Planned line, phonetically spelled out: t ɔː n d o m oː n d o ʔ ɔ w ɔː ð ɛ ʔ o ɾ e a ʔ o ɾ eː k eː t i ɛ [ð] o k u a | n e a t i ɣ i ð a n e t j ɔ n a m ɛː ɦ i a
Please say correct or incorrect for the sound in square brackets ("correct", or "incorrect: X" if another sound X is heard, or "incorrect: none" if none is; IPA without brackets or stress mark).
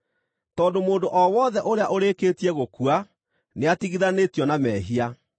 incorrect: ɣ